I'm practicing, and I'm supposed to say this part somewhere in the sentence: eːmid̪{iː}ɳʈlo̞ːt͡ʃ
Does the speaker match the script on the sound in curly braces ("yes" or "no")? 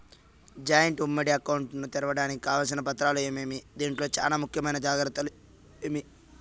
yes